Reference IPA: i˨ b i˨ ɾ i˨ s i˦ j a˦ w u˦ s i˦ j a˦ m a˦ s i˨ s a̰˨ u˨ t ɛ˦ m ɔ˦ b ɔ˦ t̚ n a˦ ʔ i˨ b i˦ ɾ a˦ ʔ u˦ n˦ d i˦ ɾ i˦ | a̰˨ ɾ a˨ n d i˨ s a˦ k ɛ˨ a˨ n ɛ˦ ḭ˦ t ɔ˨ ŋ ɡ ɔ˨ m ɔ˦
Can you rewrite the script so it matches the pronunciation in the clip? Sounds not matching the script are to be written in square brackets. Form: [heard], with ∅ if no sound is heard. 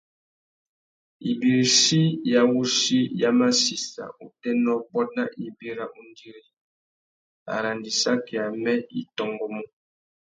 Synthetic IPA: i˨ b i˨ ɾ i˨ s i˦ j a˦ w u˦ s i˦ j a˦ m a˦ s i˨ s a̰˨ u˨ t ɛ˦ [n] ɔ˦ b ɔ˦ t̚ n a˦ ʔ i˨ b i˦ ɾ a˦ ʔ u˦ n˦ d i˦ ɾ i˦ | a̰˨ ɾ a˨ n d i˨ s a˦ k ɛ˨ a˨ [m] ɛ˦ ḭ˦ t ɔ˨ ŋ ɡ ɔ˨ m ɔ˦